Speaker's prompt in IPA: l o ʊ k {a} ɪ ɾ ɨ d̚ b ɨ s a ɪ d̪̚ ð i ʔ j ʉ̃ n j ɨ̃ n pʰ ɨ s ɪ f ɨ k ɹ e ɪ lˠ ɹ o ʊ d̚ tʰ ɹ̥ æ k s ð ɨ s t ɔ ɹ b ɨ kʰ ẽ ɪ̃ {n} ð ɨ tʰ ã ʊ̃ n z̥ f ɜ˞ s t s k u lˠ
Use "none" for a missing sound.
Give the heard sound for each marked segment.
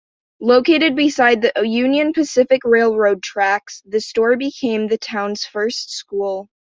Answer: e, m

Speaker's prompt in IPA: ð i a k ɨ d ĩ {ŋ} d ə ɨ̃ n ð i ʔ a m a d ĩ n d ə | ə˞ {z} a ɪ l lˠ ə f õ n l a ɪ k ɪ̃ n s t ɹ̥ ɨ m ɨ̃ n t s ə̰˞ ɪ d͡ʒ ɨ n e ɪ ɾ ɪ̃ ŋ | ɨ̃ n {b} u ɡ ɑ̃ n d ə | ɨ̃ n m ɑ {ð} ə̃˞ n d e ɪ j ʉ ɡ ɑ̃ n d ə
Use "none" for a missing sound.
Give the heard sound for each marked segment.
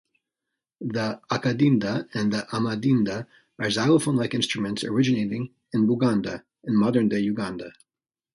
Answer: n, z, b, ð

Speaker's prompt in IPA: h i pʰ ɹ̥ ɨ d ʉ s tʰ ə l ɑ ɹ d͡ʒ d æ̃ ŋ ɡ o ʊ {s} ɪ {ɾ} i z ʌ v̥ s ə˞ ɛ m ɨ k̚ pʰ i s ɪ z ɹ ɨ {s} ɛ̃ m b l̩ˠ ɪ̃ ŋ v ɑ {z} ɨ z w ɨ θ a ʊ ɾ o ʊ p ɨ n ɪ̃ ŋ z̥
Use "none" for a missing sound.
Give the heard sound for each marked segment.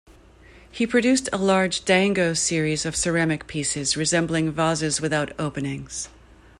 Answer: s, ɹ, z, z

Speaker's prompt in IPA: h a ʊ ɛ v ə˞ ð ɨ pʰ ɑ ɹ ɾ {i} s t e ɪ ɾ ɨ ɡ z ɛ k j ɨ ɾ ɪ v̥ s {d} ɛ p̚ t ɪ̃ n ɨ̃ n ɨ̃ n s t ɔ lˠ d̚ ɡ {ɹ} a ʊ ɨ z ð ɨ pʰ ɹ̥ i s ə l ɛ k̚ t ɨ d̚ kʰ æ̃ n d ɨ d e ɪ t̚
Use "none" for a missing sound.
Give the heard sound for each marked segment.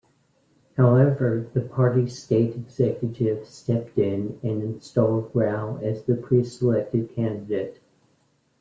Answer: i, t, ɹ

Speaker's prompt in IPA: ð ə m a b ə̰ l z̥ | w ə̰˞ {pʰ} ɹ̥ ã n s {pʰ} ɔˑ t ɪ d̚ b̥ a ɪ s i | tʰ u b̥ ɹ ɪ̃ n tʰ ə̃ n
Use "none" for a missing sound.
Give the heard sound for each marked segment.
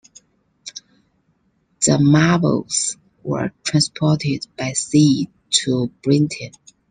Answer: tʰ, pʰ

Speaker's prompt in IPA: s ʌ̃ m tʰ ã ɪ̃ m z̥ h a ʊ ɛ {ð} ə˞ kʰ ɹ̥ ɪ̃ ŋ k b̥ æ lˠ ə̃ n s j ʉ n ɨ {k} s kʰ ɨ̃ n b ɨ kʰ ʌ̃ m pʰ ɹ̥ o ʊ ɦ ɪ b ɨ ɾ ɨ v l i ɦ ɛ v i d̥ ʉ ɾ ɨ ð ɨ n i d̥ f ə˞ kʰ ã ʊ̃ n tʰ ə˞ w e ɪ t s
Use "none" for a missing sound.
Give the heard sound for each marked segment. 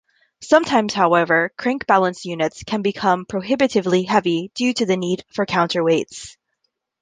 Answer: v, t

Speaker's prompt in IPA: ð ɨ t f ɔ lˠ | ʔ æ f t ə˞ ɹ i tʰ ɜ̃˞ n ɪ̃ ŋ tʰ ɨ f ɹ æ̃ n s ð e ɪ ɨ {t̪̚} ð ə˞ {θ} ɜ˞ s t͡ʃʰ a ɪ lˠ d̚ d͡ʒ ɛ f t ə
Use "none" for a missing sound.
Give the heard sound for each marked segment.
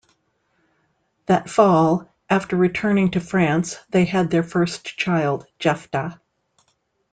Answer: d̪̚, f

